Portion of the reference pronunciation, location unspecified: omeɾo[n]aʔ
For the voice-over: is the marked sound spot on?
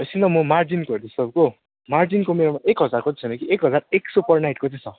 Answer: no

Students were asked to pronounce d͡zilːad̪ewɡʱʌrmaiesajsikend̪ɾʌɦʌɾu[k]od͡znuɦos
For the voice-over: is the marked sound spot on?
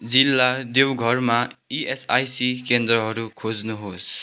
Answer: no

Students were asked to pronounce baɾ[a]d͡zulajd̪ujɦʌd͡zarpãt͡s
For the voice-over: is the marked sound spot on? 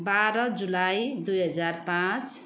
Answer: no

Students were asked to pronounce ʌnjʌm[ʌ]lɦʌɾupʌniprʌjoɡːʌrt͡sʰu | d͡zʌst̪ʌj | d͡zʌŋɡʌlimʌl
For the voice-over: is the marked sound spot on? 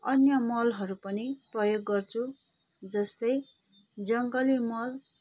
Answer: yes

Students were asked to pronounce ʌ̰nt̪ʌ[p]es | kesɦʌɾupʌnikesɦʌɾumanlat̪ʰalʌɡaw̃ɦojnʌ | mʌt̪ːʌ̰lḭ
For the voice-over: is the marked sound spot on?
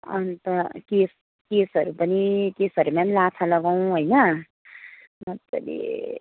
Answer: no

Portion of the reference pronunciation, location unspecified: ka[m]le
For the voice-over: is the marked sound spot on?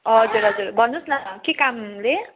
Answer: yes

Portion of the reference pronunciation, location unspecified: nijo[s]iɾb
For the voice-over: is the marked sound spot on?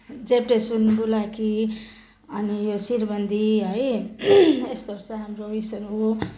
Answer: yes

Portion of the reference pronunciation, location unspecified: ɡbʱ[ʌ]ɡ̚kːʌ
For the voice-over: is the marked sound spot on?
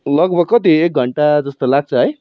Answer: yes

